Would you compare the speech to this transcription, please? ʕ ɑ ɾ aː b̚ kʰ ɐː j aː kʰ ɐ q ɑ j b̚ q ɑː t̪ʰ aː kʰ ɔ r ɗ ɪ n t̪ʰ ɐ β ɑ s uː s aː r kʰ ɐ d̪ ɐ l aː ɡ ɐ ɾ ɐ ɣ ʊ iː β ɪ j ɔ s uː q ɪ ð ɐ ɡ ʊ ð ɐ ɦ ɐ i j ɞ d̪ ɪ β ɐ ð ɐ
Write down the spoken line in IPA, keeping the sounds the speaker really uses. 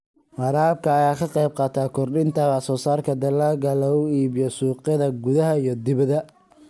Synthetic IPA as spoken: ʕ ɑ ɾ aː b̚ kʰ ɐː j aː kʰ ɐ q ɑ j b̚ q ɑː t̪ʰ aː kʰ ɔ r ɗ ɪ n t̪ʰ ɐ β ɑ s ɔː s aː r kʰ ɐ d̪ ɐ l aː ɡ ɐ l ɐ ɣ ʊ iː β ɪ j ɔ s uː q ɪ ð ɐ ɡ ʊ ð ɐ ɦ ɐ i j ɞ d̪ ɪ β ɐ ð ɐ